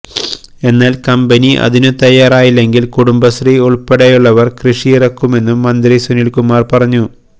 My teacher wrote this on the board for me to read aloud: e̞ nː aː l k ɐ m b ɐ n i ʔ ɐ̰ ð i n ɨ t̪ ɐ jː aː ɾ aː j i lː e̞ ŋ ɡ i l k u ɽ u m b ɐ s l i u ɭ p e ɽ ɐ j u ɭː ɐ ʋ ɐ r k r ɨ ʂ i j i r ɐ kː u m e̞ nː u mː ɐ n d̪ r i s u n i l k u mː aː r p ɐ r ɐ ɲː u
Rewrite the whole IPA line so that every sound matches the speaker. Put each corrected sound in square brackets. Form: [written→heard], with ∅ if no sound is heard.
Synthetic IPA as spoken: e̞ nː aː l k ɐ m b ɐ n i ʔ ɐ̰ ð i n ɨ t̪ ɐ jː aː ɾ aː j i lː e̞ ŋ ɡ i l k u ɽ u m b ɐ s [l→r] i u ɭ p e ɽ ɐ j u ɭː ɐ ʋ ɐ r k r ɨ ʂ i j i r ɐ kː u m e̞ nː u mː ɐ n d̪ r i s u n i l k u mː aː r p ɐ r ɐ ɲː u